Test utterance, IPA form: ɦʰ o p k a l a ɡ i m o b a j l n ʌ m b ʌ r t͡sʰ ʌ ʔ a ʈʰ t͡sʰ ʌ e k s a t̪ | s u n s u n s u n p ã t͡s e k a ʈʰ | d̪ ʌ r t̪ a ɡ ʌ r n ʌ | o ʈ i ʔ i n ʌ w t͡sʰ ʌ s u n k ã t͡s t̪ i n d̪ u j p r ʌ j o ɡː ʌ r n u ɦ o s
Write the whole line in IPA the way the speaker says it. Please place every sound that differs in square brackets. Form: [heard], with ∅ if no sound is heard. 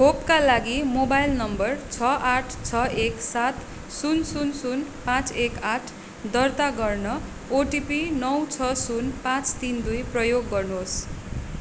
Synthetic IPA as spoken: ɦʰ o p k a l a ɡ i m o b a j l n ʌ m b ʌ r t͡sʰ ʌ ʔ a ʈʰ t͡sʰ ʌ e k s a t̪ | s u n s u n s u n p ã t͡s e k a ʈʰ | d̪ ʌ r t̪ a ɡ ʌ r n ʌ | o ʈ i [p] i n ʌ w t͡sʰ ʌ s u n [p] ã t͡s t̪ i n d̪ u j p r ʌ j o ɡː ʌ r n u ɦ o s